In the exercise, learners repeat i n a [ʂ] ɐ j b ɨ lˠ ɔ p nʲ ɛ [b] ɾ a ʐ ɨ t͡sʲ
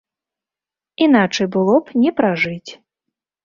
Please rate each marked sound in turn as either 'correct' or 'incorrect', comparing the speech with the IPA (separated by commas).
incorrect, incorrect